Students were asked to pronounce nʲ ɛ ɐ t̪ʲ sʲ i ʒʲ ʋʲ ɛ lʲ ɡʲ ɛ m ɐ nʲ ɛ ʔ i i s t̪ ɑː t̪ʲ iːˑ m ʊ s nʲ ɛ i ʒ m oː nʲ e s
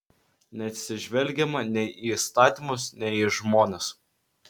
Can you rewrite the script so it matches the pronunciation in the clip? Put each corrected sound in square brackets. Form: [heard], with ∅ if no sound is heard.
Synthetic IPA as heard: nʲ ɛ ɐ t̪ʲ sʲ [ɪ] ʒʲ ʋʲ ɛ lʲ ɡʲ ɛ m ɐ nʲ ɛ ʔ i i s t̪ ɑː t̪ʲ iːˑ m ʊ s nʲ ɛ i ʒ m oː nʲ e s